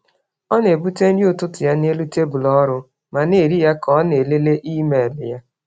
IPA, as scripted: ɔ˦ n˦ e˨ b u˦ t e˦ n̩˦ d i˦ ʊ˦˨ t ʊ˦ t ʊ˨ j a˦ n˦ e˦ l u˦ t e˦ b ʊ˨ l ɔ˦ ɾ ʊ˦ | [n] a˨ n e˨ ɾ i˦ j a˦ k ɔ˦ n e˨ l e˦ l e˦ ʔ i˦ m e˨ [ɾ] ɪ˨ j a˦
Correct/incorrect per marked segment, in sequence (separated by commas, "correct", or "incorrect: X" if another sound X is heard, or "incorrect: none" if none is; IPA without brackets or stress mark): incorrect: m, incorrect: l